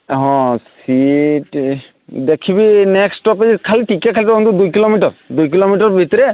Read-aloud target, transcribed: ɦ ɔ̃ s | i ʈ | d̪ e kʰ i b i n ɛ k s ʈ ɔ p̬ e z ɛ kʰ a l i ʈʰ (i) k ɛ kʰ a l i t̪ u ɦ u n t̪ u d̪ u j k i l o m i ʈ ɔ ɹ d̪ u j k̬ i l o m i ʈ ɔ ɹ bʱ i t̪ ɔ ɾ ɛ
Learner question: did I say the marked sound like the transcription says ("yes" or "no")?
yes